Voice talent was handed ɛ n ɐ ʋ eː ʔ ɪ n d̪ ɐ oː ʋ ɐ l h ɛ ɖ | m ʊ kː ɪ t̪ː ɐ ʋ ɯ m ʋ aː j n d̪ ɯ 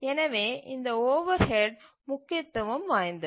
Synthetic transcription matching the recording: ɛ n ɐ ʋ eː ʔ ɪ n d̪ ɐ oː ʋ ɐ ɾ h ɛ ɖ | m ʊ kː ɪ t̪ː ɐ ʋ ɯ m ʋ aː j n d̪ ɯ

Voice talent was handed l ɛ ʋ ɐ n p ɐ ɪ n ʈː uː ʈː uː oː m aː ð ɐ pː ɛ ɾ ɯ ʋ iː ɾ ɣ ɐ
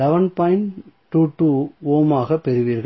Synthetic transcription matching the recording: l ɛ ʋ ɐ n p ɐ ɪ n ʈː uː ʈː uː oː m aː ɣ ɐ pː ɛ ɾ ɯ ʋ iː ɾ ɣ ɐ

